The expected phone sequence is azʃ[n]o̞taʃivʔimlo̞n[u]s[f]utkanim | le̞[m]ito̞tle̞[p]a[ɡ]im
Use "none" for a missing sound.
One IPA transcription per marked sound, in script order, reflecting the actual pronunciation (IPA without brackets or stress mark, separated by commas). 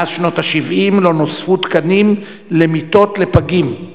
n, o, f, m, p, ɡ